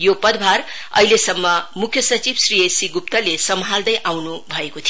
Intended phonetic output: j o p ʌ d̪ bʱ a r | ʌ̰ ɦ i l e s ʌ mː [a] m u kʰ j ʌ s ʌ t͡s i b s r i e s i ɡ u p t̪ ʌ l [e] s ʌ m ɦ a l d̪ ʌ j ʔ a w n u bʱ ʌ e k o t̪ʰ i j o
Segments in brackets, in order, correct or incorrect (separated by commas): incorrect, correct